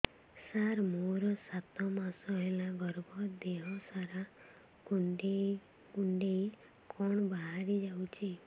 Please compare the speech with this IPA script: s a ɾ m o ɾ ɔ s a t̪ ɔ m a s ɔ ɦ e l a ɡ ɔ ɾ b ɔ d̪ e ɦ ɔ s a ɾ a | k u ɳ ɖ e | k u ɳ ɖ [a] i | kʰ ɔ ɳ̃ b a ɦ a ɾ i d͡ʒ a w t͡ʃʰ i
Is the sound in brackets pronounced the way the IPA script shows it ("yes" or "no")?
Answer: no